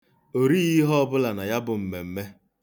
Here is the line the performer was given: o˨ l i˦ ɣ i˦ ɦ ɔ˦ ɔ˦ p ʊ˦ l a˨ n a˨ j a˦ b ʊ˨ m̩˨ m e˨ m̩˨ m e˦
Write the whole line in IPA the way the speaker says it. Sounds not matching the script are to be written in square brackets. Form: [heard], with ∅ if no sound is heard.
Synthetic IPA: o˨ [ɾ] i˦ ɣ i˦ ɦ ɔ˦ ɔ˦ [b] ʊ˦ l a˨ n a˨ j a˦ b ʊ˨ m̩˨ m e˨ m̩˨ m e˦